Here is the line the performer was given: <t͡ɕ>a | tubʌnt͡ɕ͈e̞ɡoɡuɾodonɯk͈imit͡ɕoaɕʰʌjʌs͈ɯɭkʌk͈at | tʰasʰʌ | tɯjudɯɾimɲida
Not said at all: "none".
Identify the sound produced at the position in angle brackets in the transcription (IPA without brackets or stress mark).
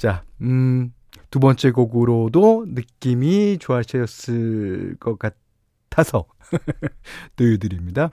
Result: t͡ɕ